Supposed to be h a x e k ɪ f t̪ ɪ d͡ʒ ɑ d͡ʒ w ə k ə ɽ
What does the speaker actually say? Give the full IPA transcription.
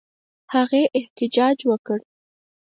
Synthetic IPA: h a ɣ e ʔ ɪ h t̪ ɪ d͡ʒ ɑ d͡ʒ w ə k ə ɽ